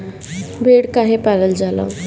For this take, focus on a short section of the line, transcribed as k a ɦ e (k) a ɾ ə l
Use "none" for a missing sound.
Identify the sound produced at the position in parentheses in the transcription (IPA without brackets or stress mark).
p